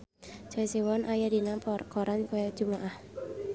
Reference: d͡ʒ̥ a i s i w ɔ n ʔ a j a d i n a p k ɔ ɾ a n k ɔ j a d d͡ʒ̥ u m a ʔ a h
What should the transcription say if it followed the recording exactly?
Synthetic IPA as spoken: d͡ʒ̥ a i s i w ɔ n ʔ a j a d i n a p k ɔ ɾ a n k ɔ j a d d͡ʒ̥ u m a ʔ a h